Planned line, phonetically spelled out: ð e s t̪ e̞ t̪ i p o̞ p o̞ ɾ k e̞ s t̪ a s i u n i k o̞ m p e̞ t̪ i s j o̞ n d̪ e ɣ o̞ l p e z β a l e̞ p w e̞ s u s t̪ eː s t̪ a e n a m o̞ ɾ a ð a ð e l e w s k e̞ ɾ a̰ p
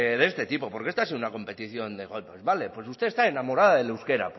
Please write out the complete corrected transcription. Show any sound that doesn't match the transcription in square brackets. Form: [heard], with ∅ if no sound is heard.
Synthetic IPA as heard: ð e s t̪ e̞ t̪ i p o̞ p o̞ ɾ k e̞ s t̪ a s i u n [a] k o̞ m p e̞ t̪ i [θ] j o̞ n d̪ e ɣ o̞ l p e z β a l e̞ p w e̞ s u s t̪ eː s t̪ a e n a m o̞ ɾ a ð a ð e l e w s k e̞ ɾ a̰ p